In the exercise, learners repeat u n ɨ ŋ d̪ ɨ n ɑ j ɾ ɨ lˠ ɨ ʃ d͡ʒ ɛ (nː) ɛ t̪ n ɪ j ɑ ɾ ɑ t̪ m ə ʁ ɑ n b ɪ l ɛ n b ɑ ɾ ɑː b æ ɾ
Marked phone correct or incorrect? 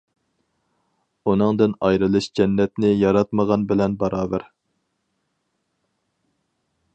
correct